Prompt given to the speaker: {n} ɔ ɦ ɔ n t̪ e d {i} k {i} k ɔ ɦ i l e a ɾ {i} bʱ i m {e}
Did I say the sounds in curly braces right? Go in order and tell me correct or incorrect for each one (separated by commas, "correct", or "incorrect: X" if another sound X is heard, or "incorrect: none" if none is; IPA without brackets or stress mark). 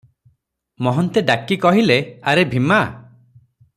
incorrect: m, incorrect: a, correct, incorrect: e, incorrect: a